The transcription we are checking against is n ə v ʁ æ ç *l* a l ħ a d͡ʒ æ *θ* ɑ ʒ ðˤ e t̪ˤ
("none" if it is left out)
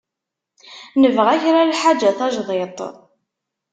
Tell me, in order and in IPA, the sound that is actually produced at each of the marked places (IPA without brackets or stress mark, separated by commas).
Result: ɾ, θ